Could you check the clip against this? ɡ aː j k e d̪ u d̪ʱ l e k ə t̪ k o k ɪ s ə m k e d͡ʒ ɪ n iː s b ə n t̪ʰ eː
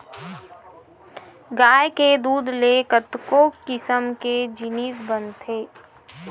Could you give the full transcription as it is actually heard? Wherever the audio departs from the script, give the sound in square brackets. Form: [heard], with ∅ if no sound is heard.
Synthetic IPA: ɡ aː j k e d̪ [uː] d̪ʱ l e k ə t̪ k o k ɪ s ə m k e d͡ʒ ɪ n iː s b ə n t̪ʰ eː